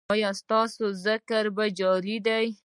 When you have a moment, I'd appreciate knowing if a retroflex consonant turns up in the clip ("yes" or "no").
no